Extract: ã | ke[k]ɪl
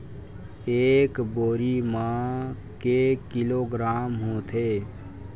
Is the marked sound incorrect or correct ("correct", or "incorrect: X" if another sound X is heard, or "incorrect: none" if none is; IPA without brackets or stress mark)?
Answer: correct